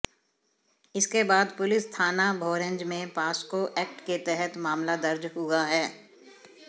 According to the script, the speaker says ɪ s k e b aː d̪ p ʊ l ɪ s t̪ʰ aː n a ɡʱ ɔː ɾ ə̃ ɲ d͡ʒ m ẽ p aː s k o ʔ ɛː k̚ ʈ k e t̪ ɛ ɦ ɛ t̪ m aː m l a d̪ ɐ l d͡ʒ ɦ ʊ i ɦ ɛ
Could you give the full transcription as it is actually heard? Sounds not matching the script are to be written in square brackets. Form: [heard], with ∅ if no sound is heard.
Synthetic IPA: ɪ s k e b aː d̪ p ʊ l ɪ s t̪ʰ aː n a [bʱ] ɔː ɾ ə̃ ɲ d͡ʒ m ẽ p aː s k o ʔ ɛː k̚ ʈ k e t̪ ɛ ɦ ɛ t̪ m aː m l a d̪ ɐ [ɾ] d͡ʒ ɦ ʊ [a] ɦ [ɛː]